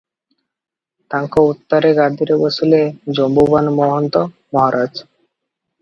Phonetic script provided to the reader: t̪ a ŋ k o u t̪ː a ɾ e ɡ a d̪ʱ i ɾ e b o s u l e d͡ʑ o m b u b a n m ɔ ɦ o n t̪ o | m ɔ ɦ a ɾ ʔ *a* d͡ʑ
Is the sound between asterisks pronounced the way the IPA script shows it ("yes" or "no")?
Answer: yes